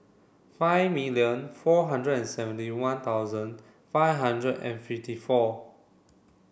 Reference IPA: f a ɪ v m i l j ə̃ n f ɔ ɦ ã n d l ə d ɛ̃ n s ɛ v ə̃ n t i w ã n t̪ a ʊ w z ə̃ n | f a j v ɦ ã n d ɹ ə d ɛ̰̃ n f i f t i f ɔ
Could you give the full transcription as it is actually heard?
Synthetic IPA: f a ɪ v m i l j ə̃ n f ɔ ɦ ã n d ɹ ə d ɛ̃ n s ɛ v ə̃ n t i w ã n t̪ a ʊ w z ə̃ n | f a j v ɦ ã n d ɹ ə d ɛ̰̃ n f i f t i f ɔ

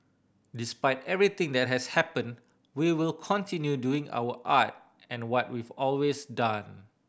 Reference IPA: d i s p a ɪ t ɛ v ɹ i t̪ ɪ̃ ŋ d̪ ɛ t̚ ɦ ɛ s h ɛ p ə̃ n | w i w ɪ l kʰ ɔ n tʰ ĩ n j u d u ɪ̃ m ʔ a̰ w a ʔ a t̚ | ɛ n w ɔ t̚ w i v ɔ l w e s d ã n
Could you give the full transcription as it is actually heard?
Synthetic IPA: d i s p a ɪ t ɛ v ɹ i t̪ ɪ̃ ŋ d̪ ɛ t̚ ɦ ɛ s h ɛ p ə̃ n | w i w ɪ l kʰ ɔ̃ n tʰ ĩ n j u d u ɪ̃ ŋ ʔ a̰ w ə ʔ a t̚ | ɛ̃ n w ɔ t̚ w i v ɔ l w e s d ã n

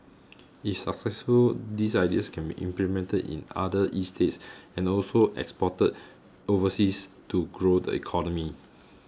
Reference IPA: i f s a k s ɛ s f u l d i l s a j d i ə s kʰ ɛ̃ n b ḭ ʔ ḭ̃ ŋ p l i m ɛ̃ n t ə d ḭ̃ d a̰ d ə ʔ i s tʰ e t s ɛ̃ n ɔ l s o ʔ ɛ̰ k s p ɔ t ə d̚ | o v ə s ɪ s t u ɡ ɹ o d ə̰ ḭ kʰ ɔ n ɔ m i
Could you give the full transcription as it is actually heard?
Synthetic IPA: i f s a k s ɛ s f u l d i s a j d i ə s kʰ ɛ̃ n b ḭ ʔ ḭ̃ m p l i m ɛ̃ n t ə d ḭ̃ n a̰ d ə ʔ i s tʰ e t s ɛ̃ n ɔ l s o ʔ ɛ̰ k s p ɔ t ə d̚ | o v ə s i s t u ɡ ɹ o d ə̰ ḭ kʰ ɔ n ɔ m i

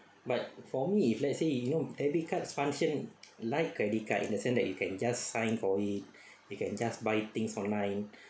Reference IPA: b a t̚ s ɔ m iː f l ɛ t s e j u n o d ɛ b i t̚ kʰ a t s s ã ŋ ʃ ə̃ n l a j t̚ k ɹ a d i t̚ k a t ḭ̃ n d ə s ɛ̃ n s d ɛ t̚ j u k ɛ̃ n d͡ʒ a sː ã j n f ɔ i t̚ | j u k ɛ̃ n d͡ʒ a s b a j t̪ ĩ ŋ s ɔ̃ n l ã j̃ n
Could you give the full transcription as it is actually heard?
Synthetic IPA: b a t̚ f ɔ m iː f l ɛ t s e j u n o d ɛ b i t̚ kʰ a t s f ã ŋ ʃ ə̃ n l a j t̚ k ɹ ɛ d i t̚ k a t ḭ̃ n d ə s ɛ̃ n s d ɛ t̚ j u k ɛ̃ n d͡ʒ a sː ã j n f ɔ i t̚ | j u k ɛ̃ n d͡ʒ a s b a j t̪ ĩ ŋ s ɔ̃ n l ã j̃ n

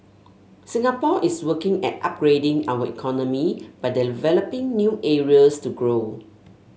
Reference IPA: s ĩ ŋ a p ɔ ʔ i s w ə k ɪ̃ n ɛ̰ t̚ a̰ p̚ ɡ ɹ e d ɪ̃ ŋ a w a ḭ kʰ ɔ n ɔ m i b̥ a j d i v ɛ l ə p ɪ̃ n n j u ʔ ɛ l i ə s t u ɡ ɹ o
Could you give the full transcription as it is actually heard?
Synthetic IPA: s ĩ ŋ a p ɔ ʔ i s w ə k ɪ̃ ŋ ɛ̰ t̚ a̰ p̚ ɡ ɹ e d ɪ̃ ŋ a w ə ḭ kʰ ɔ n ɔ m i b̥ a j d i v ɛ l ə p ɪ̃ ŋ n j u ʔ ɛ ɹ i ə s t u ɡ ɹ o

